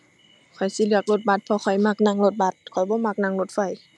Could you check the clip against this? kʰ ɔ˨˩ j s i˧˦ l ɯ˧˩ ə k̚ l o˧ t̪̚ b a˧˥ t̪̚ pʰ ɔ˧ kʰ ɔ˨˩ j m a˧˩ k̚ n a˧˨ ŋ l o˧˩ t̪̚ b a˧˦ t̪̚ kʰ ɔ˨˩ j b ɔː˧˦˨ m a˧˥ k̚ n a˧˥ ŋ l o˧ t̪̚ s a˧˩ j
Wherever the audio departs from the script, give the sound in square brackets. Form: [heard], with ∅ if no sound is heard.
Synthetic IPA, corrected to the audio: kʰ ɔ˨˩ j s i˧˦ l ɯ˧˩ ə k̚ l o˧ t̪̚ b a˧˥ t̪̚ pʰ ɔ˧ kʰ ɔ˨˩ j m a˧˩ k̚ n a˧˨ ŋ l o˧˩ t̪̚ b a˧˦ t̪̚ kʰ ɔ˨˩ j b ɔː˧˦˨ m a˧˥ k̚ n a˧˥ ŋ l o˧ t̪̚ [f] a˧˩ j